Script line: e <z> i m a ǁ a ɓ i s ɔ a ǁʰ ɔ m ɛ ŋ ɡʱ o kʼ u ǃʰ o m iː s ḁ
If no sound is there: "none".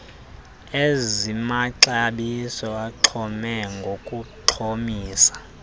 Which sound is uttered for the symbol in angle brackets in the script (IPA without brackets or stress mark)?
z